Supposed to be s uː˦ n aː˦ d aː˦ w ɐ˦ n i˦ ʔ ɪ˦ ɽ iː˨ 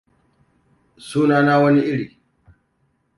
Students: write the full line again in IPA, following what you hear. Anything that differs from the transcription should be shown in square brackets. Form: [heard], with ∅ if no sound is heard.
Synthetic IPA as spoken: s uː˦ n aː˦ [n] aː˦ w ɐ˦ n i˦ ʔ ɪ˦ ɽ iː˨